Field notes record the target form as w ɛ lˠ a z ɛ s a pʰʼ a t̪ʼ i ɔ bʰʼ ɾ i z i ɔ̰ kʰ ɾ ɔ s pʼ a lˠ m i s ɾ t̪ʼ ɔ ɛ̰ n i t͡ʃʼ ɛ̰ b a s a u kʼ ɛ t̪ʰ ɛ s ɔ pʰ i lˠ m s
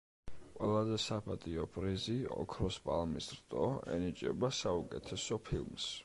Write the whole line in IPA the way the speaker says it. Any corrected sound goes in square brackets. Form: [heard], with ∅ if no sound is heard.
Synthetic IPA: w ɛ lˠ a z ɛ s a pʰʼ a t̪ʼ i ɔ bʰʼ ɾ i z i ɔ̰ kʰ ɾ ɔ s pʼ a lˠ m i s ɾ t̪ʼ ɔ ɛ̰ n i t͡ʃʼ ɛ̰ b a s a u kʼ ɛ t̪ʰ ɛ s ɔ pʰ i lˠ m s